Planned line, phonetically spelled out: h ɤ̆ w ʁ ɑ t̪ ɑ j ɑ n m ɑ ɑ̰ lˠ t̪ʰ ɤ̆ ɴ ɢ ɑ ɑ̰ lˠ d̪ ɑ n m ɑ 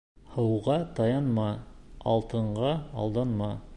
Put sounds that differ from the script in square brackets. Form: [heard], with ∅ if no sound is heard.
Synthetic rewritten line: h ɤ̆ w ʁ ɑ t̪ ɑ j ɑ n m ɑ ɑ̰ lˠ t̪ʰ ɤ̆ ɴ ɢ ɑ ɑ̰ lˠ d̪ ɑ n m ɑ